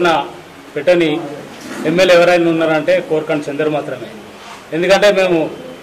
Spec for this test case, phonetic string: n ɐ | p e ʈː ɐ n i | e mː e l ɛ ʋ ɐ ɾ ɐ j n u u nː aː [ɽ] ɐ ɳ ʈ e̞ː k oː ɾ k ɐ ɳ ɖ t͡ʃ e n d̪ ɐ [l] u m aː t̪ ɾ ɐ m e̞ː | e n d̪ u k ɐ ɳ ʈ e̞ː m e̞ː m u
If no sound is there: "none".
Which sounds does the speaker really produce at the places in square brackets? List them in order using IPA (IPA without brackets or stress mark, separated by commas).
ɾ, ɾ